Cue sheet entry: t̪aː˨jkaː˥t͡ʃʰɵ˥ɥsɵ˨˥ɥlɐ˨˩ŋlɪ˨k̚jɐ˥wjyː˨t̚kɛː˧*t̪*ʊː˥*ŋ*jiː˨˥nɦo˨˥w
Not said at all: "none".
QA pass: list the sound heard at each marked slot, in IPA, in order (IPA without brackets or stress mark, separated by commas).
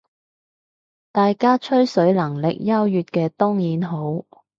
t̪, ŋ